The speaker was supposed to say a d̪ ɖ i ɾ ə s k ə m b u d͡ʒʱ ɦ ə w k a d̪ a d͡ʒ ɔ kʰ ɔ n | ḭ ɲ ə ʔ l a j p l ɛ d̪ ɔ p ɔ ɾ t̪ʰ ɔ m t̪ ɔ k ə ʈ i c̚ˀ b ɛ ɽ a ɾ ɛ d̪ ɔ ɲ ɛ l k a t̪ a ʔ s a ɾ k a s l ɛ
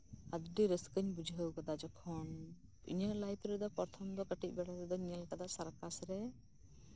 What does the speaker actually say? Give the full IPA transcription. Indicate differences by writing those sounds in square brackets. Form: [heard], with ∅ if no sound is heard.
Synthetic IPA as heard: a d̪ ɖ i ɾ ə s k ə [ɲ] b u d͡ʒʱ ɦ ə w k a d̪ a d͡ʒ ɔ kʰ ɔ n | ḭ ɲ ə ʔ l a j p [ɾ] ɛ d̪ ɔ p ɔ ɾ t̪ʰ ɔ m [d̪] ɔ k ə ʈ i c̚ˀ b ɛ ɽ a ɾ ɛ d̪ ɔ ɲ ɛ l k a [d̪] a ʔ s a ɾ k a s [ɾ] ɛ